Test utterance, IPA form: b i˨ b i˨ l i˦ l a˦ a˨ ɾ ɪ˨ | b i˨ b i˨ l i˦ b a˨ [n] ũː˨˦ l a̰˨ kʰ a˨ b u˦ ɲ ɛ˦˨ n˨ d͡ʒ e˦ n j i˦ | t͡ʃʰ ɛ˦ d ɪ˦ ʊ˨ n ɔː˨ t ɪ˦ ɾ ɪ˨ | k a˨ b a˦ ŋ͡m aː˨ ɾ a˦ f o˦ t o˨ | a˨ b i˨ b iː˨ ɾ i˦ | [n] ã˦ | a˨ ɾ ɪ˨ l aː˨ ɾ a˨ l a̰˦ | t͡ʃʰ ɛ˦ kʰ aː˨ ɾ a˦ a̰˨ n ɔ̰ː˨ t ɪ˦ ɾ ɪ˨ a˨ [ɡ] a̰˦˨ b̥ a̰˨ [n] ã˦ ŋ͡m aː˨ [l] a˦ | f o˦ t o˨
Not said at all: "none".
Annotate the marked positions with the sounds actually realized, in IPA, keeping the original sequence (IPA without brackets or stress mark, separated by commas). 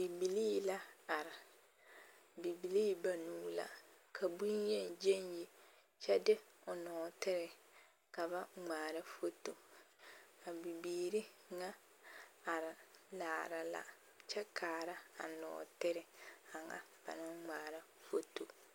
n, ŋ, ŋ, n, ɾ